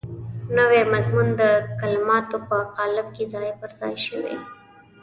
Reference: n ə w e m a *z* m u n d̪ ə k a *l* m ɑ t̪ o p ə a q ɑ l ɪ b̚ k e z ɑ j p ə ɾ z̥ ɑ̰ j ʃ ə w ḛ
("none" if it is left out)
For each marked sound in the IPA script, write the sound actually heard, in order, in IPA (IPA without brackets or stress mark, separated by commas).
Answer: z, l